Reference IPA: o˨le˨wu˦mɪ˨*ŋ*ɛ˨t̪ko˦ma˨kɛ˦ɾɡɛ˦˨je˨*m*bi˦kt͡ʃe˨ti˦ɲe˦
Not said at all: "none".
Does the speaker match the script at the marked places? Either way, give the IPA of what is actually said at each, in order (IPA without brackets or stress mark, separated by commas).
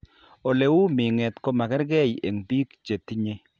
ŋ, ŋ